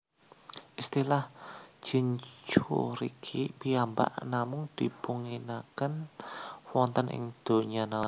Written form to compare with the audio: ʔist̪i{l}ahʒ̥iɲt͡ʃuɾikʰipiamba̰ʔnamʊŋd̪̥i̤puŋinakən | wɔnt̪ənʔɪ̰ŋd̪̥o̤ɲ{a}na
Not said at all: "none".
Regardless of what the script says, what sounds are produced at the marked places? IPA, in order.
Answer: l, a

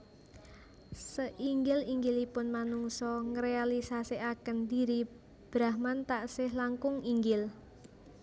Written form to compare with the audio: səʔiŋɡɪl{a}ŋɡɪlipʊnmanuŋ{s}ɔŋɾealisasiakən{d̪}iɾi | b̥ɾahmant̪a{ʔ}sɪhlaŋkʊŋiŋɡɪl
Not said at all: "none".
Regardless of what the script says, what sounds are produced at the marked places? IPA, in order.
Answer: i, s, d̪, ʔ

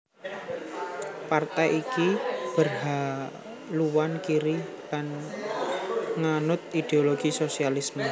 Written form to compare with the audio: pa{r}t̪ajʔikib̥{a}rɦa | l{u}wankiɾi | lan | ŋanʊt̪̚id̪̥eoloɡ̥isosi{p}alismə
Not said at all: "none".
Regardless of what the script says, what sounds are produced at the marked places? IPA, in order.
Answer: r, ə, u, none

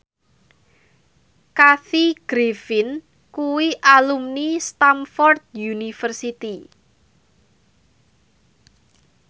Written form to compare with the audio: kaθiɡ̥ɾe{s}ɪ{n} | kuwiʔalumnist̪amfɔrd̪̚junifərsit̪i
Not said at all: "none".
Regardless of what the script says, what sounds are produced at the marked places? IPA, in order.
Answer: f, n

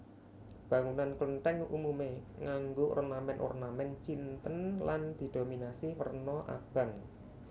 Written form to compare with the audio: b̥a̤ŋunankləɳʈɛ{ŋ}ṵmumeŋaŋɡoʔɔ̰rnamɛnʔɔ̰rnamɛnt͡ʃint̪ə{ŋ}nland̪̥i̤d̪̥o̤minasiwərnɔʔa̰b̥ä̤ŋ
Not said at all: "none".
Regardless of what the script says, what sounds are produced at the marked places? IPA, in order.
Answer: ŋ, none

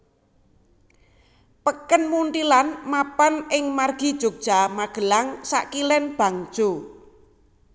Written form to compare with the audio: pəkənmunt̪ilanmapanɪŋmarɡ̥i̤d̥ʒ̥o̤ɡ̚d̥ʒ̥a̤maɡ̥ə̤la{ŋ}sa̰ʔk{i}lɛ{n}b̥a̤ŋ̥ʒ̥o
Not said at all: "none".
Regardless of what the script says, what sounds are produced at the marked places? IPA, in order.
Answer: ŋ, i, n

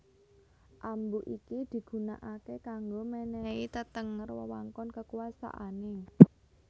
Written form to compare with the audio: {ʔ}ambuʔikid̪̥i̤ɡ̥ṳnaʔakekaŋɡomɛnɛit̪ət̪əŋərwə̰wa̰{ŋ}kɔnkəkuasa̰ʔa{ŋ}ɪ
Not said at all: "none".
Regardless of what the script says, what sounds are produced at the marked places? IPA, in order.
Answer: ʔ, ŋ, n

